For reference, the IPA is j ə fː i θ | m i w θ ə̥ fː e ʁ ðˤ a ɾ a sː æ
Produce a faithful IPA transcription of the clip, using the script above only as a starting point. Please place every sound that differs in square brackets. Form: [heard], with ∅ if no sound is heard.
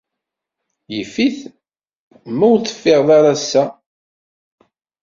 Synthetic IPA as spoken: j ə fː i θ | m [æ] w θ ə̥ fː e ʁ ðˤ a ɾ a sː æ